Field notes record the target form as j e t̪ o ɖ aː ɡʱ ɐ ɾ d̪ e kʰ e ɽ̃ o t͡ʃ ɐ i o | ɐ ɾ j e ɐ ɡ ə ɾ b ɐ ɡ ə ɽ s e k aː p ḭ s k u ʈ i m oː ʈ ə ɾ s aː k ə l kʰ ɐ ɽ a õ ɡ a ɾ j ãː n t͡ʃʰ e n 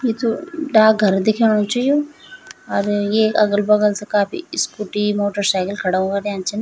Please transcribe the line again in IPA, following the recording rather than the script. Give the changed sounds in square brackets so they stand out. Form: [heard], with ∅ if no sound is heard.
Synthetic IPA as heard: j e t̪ o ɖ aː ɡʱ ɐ ɾ d̪ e kʰ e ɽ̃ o t͡ʃ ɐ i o | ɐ ɾ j e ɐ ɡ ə [l] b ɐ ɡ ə [l] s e k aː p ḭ s k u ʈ i m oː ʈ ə ɾ s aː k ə l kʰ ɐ ɽ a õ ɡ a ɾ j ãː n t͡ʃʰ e n